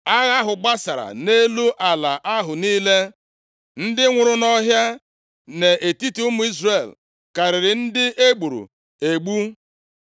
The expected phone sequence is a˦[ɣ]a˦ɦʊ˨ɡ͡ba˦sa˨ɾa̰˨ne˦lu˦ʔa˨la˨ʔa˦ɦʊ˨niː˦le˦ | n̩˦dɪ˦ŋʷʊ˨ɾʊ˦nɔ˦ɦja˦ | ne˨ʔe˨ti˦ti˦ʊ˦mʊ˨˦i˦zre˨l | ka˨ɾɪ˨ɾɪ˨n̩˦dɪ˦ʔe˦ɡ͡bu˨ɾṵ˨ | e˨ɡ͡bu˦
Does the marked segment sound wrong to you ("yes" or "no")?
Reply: no